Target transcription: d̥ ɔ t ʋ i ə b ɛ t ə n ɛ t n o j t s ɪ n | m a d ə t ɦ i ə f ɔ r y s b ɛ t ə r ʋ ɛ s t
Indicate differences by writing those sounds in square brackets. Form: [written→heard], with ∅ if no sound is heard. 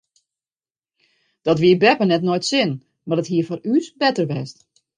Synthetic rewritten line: d̥ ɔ t ʋ i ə b ɛ [t→p] ə n ɛ t n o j t s ɪ n | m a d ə t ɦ i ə f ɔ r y s b ɛ t ə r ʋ ɛ s t